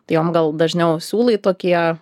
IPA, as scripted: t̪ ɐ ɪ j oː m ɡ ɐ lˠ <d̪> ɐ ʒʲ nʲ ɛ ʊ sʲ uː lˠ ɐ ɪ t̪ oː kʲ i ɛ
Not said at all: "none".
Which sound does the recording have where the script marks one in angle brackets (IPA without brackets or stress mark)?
d̪